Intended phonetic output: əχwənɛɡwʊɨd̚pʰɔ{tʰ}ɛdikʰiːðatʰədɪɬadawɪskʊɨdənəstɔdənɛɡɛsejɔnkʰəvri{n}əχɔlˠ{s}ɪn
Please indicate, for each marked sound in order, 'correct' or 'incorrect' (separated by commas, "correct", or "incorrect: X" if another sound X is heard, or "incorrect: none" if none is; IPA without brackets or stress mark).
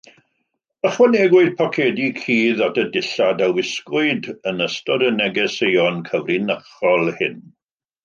incorrect: kʰ, correct, incorrect: h